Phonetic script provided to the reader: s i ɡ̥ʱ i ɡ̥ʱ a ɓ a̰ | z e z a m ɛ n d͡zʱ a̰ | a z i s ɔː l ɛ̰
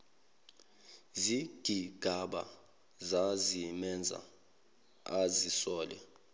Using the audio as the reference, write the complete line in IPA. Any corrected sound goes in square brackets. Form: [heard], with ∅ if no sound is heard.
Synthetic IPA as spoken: [z] i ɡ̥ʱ i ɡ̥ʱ a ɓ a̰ | z [a] z [i] m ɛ n d͡zʱ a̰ | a z i s ɔː l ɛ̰